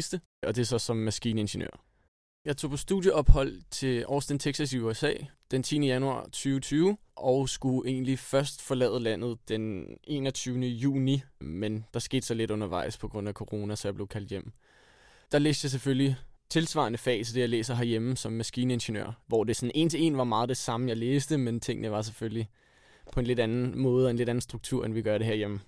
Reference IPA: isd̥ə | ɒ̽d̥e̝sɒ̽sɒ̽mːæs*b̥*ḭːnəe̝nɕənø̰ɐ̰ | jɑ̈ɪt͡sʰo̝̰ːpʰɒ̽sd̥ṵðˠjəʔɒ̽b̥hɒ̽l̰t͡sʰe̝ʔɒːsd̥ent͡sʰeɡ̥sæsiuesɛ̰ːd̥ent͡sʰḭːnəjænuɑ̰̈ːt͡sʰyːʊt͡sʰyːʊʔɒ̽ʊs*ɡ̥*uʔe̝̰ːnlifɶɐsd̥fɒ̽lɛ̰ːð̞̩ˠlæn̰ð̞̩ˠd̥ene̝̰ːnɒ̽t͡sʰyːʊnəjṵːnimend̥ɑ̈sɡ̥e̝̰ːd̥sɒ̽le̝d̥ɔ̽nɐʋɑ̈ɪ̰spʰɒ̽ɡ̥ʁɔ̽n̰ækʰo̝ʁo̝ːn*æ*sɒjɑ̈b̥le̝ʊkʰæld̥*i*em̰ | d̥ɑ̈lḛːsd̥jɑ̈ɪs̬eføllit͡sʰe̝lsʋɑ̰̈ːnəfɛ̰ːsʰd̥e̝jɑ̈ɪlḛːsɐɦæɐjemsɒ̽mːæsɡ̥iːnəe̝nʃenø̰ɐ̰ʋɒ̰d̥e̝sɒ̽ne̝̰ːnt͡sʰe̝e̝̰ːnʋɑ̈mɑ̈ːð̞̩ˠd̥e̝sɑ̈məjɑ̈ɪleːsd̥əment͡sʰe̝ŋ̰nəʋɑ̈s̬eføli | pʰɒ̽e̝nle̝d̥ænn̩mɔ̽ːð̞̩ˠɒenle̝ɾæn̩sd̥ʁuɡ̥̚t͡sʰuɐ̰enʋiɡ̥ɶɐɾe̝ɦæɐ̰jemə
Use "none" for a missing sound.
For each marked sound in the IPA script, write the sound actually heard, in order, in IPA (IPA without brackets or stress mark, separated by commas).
ɡ̥, ɡ̥, æ, j